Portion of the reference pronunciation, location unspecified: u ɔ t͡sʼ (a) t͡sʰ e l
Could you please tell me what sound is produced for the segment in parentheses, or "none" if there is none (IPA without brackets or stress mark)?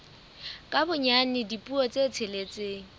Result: e